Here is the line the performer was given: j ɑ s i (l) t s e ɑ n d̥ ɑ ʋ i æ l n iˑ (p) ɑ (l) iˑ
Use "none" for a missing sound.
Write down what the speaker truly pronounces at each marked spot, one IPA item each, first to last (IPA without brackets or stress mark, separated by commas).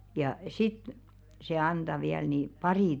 none, p, r